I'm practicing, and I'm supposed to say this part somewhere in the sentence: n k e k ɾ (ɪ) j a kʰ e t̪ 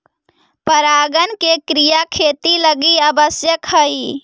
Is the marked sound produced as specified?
no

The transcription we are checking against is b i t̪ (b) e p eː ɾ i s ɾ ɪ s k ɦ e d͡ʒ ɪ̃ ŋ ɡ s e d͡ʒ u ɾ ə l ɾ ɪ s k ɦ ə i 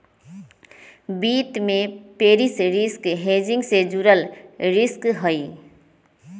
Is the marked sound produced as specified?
no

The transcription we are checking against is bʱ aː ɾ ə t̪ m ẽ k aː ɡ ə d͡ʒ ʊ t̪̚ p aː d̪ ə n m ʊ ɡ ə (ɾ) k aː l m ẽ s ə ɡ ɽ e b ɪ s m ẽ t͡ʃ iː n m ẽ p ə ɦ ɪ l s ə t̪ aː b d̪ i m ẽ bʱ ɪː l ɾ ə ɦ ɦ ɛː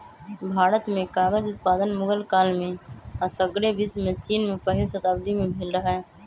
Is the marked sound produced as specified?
no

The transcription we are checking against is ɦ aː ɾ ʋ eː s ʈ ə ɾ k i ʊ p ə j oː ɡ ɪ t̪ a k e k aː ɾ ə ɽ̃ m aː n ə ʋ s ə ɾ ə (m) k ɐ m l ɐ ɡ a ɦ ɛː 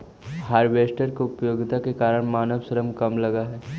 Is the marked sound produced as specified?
yes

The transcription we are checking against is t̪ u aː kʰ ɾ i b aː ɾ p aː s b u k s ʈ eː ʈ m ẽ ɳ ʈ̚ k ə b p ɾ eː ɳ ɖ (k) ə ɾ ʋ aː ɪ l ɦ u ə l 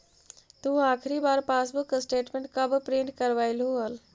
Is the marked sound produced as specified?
yes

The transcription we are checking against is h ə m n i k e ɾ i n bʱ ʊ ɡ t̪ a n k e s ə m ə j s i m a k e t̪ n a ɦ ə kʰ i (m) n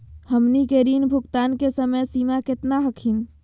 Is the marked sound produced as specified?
no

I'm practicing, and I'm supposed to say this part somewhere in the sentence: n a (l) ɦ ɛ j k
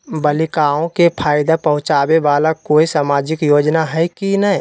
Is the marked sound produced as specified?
no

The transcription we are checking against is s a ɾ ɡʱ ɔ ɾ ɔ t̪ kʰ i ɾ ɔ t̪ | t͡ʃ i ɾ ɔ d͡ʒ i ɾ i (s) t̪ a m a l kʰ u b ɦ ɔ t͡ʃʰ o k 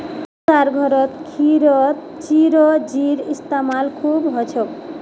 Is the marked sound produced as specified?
yes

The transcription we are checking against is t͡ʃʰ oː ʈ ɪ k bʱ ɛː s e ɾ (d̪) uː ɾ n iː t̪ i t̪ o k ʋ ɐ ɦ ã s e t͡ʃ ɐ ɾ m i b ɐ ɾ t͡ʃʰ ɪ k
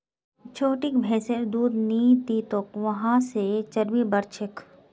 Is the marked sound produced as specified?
yes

